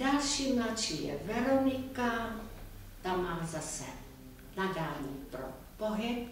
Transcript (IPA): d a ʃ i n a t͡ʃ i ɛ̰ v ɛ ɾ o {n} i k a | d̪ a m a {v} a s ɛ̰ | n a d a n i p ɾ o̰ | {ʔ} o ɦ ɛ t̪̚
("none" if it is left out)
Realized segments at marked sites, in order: n, z, p

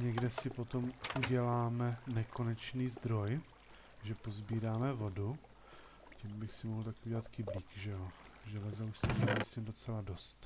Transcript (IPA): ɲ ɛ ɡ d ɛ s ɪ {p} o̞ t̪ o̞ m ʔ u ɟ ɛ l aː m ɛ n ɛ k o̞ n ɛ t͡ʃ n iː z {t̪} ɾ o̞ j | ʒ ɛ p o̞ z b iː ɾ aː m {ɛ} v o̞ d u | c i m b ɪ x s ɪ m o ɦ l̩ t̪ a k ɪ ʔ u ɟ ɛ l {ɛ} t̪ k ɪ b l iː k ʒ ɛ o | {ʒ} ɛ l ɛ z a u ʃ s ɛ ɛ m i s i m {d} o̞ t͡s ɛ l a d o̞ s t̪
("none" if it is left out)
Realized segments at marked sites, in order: p, d̪, ɛ, a, ʒ, d

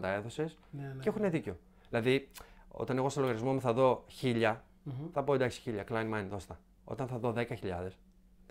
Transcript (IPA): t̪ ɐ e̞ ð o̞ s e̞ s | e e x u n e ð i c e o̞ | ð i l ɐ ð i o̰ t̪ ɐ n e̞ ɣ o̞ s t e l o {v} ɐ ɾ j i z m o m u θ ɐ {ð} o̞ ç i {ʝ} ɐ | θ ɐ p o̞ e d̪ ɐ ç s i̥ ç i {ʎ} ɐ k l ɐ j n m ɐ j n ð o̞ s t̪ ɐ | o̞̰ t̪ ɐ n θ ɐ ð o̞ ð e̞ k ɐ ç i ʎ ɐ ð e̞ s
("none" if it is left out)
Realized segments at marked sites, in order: ɣ, ð, ʎ, ʎ

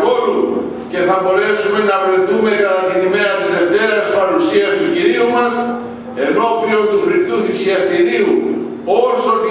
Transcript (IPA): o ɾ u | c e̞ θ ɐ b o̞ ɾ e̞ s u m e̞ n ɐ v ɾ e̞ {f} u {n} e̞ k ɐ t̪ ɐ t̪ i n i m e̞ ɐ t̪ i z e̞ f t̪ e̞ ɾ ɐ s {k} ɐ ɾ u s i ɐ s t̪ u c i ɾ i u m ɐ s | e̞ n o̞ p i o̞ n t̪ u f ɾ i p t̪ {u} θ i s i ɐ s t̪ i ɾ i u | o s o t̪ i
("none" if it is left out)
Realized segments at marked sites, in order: θ, m, p, u

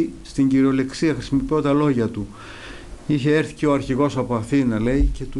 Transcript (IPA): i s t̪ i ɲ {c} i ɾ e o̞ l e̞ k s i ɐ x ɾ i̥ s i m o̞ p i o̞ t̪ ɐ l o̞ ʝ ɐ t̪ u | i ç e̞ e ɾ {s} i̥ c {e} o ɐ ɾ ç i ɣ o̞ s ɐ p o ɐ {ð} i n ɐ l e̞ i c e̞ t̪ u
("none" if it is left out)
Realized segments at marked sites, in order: ɟ, θ, e, θ

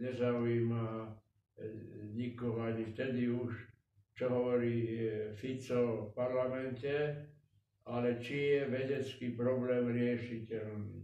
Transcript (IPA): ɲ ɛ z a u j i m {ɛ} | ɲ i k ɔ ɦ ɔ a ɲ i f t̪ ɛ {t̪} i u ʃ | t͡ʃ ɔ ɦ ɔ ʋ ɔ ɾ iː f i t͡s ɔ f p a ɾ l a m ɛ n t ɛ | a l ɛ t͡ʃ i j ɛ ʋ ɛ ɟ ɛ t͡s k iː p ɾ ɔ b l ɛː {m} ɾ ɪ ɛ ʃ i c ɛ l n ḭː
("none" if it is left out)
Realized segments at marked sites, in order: a, d̪, m

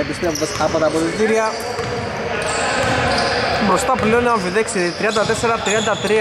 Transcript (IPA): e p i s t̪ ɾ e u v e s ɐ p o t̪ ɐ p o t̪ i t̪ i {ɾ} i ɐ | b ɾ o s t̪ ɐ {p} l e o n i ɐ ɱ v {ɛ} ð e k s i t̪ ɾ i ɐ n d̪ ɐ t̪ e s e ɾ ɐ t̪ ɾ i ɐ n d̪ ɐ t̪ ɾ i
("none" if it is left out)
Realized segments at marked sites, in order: ɾ, p, i

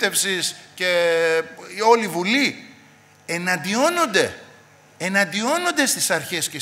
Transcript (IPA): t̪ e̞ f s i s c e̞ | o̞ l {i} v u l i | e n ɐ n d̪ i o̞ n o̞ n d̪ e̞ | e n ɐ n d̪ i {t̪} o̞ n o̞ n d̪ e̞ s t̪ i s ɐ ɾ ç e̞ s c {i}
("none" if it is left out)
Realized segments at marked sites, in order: i, none, e

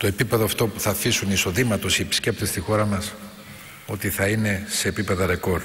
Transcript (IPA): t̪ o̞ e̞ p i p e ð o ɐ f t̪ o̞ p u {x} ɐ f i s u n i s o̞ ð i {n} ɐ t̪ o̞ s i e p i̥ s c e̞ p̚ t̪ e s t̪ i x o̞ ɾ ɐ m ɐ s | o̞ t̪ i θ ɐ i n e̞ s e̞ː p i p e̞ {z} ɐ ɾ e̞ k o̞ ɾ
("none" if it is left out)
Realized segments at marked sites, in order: θ, m, ð

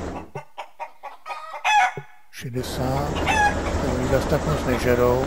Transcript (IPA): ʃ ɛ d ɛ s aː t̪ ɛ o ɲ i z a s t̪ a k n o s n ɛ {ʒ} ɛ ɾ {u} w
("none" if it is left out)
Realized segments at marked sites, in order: ʒ, o

